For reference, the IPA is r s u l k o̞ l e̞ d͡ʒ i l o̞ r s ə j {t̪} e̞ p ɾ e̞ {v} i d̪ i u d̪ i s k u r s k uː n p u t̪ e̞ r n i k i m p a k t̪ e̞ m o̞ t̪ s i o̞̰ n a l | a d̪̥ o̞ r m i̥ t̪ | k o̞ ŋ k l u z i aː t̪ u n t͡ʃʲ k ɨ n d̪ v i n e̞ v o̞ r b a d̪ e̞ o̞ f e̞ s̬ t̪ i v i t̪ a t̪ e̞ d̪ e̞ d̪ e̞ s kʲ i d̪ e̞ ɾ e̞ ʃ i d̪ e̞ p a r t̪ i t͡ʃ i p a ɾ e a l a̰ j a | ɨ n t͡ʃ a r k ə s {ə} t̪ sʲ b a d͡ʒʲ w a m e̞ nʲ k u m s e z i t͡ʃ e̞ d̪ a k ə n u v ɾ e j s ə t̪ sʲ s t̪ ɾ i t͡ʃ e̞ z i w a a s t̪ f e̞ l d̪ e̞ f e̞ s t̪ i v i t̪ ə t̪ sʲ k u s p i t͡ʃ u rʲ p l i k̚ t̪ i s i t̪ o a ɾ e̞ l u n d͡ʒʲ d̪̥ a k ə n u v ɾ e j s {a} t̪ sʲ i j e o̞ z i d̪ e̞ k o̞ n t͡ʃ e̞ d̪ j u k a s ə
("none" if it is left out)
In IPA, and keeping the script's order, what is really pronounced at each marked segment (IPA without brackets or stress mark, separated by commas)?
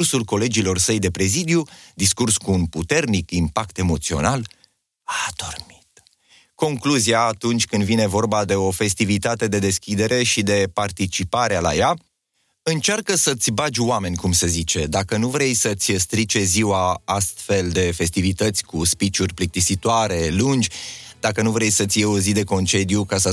d̪, z, ə, ə